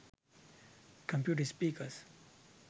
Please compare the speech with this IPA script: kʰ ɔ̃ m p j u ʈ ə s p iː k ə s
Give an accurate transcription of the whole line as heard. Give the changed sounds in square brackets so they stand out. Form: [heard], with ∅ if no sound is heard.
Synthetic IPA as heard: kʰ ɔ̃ m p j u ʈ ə s p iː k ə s